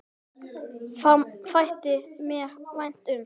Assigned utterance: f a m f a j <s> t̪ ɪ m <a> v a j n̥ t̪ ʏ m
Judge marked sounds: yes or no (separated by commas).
no, no